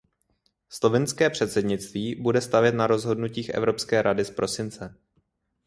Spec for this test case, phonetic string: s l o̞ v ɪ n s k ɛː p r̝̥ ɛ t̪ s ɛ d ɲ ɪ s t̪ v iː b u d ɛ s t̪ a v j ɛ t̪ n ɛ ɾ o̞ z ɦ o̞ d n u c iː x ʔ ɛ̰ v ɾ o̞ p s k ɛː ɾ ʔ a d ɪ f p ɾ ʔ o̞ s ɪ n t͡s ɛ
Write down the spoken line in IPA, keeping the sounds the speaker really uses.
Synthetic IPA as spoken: s l o̞ v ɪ n s k ɛː p r̝̥ ɛ t̪ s ɛ d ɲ ɪ t͡s t̪ v iː b u d ɛ s t̪ a v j ɛ t̪ n a ɾ o̞ z ɦ o̞ d n u c iː x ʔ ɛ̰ v ɾ o̞ p s k ɛː ɾ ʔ a d ɪ s p ɾ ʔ o̞ s ɪ n t͡s ɛ